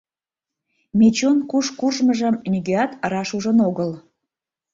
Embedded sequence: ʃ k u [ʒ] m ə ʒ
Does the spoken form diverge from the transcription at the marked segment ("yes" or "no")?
no